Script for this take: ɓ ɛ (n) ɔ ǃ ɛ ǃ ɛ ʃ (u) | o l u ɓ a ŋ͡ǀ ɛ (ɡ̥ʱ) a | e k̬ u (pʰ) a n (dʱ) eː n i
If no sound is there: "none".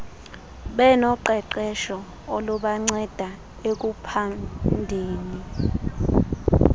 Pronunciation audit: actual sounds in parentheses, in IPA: n, ɔ, d̥ʱ, pʰ, dʱ

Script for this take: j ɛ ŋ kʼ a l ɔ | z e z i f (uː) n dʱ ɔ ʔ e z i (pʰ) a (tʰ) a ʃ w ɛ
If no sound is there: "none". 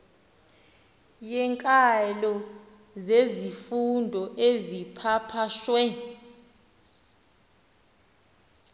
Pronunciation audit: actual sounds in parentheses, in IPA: u, pʰ, pʰ

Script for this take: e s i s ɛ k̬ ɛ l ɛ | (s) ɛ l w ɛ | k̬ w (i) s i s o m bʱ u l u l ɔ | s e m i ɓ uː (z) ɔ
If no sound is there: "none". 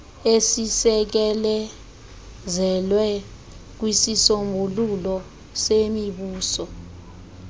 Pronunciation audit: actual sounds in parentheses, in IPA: z, i, s

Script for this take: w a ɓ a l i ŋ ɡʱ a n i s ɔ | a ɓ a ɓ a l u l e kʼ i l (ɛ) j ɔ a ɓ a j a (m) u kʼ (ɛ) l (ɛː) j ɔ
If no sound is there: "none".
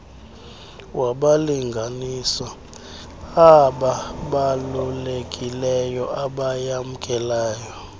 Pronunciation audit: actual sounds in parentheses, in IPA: ɛ, m, ɛ, aː

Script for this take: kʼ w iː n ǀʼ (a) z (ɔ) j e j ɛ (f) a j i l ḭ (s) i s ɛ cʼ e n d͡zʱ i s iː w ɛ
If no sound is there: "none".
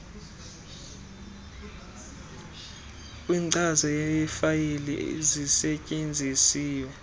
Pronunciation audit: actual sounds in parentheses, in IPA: a, ɔ, f, z

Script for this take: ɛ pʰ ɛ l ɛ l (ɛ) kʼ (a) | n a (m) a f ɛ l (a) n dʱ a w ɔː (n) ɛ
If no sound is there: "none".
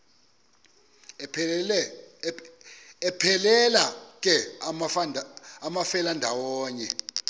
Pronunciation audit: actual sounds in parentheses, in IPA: a, ɛ, m, a, ɲ

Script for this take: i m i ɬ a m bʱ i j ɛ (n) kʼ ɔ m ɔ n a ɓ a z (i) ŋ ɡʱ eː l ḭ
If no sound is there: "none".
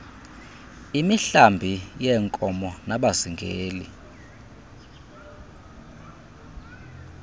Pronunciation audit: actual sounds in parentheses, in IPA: ŋ, i

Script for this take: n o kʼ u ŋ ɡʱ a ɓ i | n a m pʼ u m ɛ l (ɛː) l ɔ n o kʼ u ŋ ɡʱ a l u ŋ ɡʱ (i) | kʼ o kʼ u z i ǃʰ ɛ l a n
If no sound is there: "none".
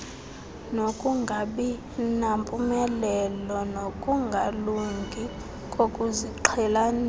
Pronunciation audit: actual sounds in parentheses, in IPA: ɛ, i

